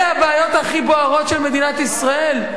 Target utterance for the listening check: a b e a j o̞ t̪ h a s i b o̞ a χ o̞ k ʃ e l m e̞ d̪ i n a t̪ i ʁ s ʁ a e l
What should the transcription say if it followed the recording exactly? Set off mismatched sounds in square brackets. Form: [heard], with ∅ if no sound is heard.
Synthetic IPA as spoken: a b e a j o̞ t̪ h a [χ] i b o̞ a [ʁ] o̞ [t] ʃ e l m e̞ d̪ i n a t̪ i [∅] s ʁ a e l